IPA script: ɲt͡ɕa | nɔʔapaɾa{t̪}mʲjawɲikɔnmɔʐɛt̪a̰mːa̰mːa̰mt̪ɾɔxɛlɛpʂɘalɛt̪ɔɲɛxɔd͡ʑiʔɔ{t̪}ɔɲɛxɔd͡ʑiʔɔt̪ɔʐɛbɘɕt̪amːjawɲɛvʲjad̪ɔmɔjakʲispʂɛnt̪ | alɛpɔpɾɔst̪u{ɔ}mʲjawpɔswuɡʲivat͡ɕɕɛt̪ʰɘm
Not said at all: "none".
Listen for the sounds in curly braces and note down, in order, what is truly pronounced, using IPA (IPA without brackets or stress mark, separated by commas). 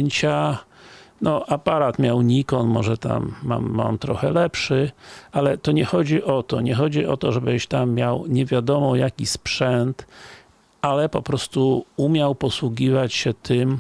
t̪, t̪, u